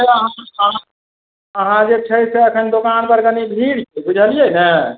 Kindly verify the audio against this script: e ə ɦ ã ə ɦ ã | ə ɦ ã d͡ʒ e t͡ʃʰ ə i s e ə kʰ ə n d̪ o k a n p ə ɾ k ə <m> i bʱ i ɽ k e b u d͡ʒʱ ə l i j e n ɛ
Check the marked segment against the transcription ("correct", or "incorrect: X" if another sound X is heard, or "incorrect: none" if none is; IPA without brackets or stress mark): incorrect: n